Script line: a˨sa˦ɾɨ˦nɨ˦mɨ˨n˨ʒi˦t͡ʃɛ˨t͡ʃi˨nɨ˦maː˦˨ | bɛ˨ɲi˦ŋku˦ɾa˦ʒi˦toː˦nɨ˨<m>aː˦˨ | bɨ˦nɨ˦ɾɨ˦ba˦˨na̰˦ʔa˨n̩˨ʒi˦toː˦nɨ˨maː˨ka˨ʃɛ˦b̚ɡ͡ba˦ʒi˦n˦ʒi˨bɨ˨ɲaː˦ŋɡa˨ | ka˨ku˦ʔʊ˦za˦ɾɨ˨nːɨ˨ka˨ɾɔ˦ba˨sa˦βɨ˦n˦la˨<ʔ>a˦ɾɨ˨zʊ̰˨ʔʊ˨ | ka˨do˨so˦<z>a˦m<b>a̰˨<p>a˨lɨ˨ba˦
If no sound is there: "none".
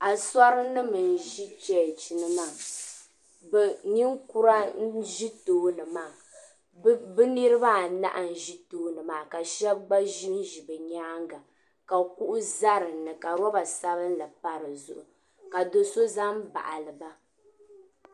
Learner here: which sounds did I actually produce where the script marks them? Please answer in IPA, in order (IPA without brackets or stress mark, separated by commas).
m, p, z, b, ʔ